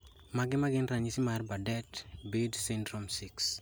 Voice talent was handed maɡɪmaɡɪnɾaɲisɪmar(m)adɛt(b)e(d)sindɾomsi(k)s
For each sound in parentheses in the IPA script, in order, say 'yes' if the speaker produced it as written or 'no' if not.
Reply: no, yes, yes, yes

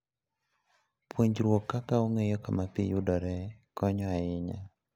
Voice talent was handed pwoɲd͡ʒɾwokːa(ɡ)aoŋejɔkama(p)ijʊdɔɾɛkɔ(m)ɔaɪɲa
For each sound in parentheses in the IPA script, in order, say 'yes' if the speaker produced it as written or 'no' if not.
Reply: no, yes, no

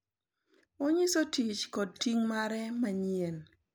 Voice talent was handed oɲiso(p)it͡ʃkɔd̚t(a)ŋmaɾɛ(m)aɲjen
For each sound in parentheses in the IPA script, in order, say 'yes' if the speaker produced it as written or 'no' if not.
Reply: no, no, yes

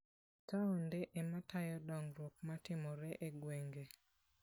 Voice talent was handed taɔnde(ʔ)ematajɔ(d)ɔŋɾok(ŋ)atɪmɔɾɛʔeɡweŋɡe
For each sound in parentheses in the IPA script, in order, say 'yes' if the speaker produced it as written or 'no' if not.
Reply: yes, yes, no

